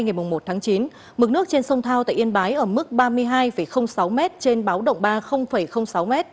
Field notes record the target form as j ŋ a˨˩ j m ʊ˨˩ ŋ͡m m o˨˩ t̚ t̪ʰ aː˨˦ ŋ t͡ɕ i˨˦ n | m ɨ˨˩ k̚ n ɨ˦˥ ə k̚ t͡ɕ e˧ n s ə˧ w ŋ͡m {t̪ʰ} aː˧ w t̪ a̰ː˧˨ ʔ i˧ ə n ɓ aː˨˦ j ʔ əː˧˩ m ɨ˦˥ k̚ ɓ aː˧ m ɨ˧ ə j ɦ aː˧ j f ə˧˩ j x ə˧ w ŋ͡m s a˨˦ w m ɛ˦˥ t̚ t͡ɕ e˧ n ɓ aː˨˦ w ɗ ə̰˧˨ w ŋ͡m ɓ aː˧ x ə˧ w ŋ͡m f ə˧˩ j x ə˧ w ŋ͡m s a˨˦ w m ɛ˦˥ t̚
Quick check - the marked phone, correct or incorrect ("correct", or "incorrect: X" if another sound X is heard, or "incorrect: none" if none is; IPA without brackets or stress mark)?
correct